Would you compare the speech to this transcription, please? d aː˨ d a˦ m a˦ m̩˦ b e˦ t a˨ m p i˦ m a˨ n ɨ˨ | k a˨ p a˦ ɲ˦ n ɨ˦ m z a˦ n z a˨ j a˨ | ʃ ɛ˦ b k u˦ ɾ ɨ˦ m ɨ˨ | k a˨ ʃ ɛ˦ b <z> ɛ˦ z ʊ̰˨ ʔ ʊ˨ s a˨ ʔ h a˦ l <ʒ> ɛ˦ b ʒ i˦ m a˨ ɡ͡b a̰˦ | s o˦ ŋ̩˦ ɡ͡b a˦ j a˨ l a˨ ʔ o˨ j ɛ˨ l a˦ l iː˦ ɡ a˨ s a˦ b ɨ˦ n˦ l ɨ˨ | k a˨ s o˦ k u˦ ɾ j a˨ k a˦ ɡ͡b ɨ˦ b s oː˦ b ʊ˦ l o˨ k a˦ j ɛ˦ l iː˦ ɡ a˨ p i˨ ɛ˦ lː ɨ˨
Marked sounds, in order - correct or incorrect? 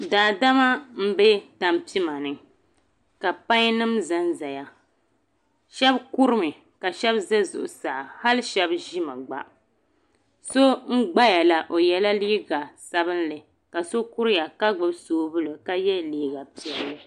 correct, incorrect: ʃ

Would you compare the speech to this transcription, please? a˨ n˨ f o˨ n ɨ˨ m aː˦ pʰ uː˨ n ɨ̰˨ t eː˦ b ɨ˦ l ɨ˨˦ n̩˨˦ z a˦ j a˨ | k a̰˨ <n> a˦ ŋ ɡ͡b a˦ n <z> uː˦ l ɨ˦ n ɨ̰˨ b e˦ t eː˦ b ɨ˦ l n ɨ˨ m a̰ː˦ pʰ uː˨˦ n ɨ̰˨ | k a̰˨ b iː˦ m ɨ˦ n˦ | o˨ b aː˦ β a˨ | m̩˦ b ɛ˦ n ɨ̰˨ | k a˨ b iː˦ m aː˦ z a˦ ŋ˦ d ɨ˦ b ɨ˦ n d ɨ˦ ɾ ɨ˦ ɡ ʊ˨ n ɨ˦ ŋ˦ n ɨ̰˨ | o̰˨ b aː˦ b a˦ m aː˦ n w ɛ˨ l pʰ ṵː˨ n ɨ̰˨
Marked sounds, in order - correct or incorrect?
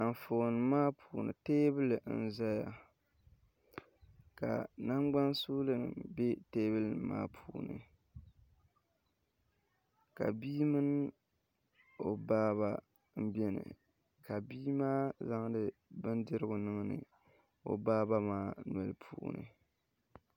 correct, incorrect: s

